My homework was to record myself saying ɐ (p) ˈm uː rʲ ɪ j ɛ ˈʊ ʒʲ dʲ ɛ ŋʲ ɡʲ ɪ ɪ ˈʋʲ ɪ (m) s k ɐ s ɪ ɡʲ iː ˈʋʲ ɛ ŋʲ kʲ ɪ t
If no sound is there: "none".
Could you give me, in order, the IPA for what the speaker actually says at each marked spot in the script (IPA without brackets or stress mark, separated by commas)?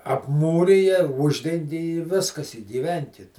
p, none